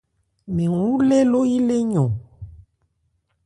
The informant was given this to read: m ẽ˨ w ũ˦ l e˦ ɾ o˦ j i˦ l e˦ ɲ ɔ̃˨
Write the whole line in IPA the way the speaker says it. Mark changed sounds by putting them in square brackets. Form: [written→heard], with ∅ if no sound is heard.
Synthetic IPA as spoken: m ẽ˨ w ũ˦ l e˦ [ɾ→l] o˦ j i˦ l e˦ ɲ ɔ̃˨